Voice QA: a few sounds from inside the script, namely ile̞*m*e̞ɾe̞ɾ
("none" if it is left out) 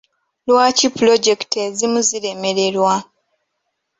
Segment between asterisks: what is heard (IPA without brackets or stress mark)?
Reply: m